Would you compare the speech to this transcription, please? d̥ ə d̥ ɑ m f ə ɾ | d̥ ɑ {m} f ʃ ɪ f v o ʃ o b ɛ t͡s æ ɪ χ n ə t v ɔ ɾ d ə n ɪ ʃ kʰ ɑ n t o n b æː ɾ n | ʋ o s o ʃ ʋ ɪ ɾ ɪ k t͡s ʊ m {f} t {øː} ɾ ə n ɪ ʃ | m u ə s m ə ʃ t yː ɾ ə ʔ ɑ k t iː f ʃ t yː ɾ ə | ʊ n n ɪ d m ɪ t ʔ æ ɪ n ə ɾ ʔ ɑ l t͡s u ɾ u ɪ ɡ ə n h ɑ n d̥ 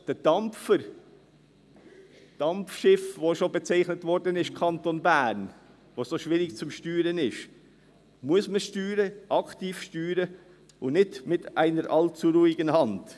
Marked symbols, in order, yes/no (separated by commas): yes, no, no